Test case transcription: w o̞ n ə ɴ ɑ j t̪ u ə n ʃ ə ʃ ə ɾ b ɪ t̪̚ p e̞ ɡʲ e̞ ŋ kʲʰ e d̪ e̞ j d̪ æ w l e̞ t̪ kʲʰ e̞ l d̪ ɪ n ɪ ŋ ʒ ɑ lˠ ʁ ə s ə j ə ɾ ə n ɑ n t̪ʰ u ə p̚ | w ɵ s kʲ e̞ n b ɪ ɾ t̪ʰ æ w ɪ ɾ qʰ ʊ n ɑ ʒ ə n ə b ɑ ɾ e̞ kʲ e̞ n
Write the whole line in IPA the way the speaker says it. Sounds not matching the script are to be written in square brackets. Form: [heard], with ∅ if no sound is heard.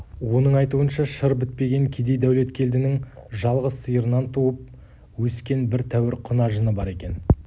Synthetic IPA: w o̞ n ə ɴ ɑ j t̪ u ə n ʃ [ɑ] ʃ ə ɾ b ɪ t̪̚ p e̞ ɡʲ e̞ ŋ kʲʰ e d̪ e̞ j d̪ æ w l e̞ t̪ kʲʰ e̞ l d̪ ɪ n ɪ ŋ ʒ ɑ lˠ ʁ ə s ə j ə ɾ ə n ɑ n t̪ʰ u ə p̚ | w ɵ s kʲ e̞ n b ɪ ɾ t̪ʰ æ w ɪ ɾ qʰ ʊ n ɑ ʒ ə n ə b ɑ ɾ e̞ kʲ e̞ n

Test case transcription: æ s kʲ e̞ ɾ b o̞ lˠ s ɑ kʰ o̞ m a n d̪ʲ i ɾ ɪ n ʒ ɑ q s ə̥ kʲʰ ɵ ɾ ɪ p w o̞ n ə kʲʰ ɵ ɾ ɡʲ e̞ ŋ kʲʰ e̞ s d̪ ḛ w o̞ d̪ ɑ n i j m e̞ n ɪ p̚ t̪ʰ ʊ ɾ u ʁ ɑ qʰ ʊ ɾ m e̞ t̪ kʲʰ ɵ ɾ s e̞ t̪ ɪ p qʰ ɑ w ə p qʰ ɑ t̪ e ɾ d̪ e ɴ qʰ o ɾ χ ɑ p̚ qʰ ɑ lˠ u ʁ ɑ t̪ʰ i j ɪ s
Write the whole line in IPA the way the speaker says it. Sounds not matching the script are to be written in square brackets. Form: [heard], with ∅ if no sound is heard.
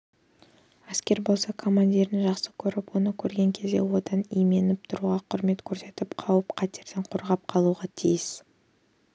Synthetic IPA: æ s kʲ e̞ ɾ b o̞ lˠ s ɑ kʰ o̞ m a n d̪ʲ i ɾ ɪ n ʒ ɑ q s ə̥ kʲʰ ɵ ɾ ɪ p w o̞ n ə kʲʰ ɵ ɾ ɡʲ e̞ ŋ kʲʰ e̞ [z] d̪ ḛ w o̞ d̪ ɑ n i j m e̞ n ɪ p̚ t̪ʰ ʊ ɾ u ʁ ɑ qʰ ʊ ɾ m e̞ t̪ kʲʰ ɵ ɾ s e̞ t̪ ɪ p qʰ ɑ w ə p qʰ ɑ t̪ e ɾ d̪ e ɴ qʰ o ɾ [ʁ] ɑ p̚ qʰ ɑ lˠ u ʁ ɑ t̪ʰ i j ɪ s

